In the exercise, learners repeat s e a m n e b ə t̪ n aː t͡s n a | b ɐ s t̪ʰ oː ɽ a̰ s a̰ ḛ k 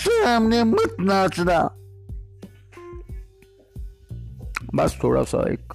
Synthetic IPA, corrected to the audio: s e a m n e m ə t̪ n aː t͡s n a | b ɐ s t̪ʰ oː ɽ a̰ s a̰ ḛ k